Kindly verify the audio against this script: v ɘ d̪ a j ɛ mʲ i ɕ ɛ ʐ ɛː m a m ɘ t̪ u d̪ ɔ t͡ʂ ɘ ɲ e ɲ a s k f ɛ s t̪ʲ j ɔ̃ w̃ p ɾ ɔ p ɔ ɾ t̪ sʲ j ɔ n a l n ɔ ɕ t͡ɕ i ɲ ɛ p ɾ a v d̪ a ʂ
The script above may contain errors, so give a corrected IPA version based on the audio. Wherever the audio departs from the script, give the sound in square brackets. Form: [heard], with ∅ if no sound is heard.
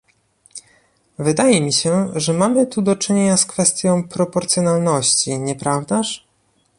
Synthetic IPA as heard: v ɘ d̪ a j ɛ mʲ i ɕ ɛ ʐ [ɛ] m a m ɘ t̪ u d̪ ɔ t͡ʂ ɘ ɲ e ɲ a s k f ɛ s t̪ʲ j ɔ̃ w̃ p ɾ ɔ p ɔ ɾ t̪ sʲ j ɔ n a l n ɔ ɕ t͡ɕ i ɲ ɛ p ɾ a v d̪ a ʂ